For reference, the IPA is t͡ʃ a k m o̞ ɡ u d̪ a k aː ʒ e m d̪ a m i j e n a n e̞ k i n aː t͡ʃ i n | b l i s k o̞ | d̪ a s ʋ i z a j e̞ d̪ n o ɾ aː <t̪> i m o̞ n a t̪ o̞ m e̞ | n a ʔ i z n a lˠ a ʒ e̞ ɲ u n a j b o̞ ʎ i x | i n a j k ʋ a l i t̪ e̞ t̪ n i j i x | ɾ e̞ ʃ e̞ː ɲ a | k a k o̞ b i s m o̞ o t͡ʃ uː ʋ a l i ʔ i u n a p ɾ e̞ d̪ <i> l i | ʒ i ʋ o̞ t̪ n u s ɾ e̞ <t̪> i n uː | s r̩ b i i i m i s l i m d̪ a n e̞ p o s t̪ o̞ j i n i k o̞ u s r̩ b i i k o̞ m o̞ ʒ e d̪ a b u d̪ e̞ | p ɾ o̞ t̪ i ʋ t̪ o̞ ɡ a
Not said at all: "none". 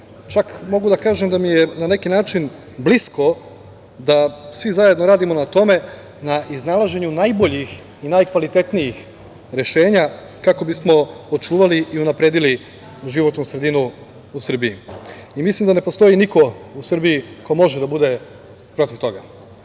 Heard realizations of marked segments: d̪, i, d̪

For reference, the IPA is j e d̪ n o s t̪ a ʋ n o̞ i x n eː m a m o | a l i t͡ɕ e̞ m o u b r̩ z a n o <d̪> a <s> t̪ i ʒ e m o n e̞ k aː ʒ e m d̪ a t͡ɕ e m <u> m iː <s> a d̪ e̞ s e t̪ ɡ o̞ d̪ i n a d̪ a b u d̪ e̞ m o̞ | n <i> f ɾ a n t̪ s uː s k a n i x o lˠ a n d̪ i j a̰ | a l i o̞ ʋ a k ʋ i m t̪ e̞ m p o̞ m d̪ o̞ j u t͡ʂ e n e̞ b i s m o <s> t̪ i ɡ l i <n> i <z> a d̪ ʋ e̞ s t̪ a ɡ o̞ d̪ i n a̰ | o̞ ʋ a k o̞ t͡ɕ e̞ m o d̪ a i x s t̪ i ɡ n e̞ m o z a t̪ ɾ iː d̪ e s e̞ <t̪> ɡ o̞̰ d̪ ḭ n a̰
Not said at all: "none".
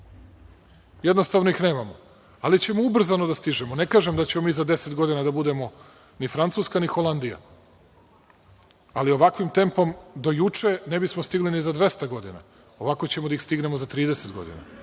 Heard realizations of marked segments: d̪, s, o, z, i, s, n, z, t̪

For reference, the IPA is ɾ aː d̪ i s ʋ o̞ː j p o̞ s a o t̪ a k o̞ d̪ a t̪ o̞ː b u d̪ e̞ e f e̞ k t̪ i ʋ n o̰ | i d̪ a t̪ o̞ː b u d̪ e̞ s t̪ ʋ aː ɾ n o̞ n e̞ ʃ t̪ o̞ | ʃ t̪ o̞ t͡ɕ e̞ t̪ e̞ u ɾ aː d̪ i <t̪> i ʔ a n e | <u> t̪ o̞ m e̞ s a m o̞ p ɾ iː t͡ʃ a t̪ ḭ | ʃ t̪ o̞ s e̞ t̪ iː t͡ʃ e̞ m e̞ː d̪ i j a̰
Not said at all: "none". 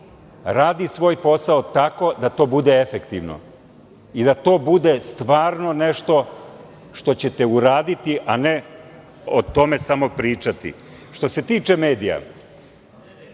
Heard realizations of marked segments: t̪, o

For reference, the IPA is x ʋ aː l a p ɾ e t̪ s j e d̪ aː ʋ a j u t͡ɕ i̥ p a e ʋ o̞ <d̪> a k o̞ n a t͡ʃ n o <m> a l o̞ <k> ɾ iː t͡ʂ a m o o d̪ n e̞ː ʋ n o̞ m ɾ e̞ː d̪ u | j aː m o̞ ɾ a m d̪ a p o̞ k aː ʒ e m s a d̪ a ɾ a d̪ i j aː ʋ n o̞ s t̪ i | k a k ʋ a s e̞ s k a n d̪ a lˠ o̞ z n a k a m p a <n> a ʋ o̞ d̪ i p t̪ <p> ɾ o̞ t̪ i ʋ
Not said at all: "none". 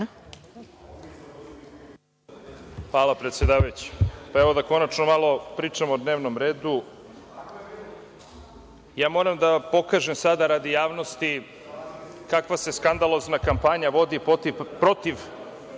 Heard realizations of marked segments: d̪, m, p, ɲ, p

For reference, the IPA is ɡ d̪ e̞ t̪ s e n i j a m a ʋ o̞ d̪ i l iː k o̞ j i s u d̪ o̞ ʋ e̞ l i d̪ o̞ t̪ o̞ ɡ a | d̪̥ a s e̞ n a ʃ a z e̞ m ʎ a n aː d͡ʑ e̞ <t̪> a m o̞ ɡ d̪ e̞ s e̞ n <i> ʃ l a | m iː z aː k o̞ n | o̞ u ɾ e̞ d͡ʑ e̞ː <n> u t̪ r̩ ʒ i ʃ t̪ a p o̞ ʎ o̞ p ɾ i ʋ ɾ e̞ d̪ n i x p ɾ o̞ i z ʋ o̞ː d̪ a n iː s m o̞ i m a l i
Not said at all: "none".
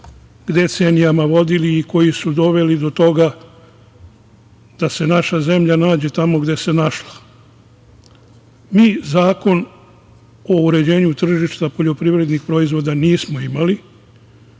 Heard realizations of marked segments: t̪, a, ɲ

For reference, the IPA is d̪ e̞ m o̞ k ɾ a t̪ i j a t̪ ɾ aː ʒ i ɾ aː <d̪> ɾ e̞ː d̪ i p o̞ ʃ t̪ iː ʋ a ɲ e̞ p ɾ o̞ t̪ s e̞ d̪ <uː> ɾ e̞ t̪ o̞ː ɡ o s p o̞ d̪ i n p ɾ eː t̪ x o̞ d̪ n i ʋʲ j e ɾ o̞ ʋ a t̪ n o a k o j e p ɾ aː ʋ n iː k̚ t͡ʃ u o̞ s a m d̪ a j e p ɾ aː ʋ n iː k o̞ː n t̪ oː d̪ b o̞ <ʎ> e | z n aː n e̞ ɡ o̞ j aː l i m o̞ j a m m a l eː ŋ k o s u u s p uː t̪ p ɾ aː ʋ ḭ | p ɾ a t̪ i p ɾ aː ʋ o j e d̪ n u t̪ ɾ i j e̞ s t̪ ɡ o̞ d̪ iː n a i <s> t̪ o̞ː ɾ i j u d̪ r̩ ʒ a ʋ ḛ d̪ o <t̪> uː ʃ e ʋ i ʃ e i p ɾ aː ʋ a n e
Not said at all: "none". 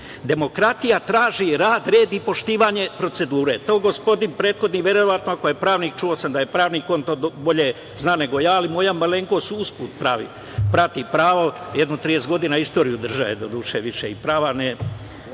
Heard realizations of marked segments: d̪, uː, ʎ, s, d̪

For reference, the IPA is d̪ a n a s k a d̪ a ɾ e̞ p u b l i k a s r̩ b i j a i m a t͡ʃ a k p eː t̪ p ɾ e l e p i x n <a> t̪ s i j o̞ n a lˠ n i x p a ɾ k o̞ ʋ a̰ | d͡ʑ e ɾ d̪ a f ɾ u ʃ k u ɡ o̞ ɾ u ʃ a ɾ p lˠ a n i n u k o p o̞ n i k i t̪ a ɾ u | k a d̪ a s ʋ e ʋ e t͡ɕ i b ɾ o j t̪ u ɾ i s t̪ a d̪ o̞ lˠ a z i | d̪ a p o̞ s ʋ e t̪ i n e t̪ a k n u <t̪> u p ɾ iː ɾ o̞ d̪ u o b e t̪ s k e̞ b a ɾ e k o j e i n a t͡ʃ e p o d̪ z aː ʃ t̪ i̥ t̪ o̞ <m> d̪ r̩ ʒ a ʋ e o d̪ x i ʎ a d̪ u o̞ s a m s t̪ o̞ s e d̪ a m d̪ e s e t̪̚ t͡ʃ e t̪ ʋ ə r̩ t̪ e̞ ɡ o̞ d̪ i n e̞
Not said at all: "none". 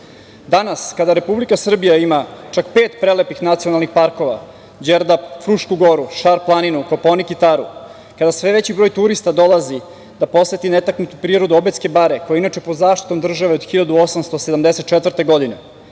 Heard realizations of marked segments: a, t̪, m

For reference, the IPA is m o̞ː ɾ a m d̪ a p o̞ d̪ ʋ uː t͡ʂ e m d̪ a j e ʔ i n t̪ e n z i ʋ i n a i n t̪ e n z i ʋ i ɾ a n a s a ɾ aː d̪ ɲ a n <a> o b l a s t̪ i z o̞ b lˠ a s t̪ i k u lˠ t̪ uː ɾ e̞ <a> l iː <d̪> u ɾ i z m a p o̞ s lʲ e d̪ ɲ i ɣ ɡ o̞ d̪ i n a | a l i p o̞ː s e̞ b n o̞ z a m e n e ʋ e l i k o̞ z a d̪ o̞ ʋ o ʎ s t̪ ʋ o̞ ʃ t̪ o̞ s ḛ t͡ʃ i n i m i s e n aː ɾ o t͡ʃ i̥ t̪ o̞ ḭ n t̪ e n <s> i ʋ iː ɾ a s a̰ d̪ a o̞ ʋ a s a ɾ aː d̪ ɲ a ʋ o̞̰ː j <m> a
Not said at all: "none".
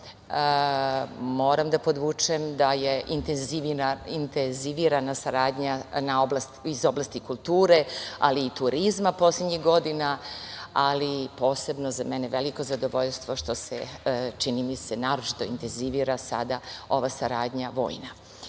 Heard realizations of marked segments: a, a, t̪, z, n

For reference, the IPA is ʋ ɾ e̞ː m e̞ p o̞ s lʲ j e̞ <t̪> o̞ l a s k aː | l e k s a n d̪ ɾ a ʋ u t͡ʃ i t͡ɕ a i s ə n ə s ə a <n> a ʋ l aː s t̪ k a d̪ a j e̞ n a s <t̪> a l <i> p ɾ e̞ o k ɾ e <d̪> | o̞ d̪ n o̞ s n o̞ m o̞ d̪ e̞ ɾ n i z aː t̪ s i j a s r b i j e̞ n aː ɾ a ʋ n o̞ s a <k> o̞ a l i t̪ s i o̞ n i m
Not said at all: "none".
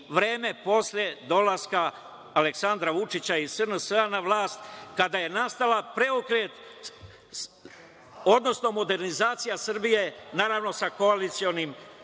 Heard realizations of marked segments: d̪, n, t̪, a, t̪, k

